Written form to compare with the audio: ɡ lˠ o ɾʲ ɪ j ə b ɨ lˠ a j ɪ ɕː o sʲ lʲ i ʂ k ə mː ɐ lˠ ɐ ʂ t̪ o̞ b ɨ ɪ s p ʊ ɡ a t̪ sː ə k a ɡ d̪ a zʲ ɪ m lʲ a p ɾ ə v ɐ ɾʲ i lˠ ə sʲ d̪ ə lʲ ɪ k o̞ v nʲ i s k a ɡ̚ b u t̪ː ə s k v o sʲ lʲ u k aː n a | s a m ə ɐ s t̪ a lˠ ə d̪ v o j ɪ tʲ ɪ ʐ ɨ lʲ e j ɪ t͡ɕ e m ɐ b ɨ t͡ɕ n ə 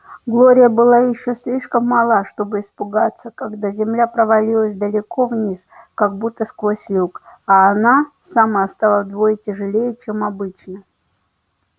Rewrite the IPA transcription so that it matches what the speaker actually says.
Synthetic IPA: ɡ lˠ o ɾʲ ɪ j ə b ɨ lˠ a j ɪ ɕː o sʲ lʲ i ʂ k ə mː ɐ lˠ a ʂ t̪ o̞ b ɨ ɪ s p ʊ ɡ a t̪ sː ə k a ɡ d̪ a zʲ ɪ m lʲ a p ɾ ə v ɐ lʲ i lˠ ə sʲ d̪ ə lʲ ɪ k o̞ v nʲ i s k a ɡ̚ b u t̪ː ə s k v o sʲ lʲ u k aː n a | s a m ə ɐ s t̪ a lˠ ə d̪ v o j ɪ tʲ ɪ ʐ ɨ lʲ e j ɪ t͡ɕ e m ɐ b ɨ t͡ɕ n ə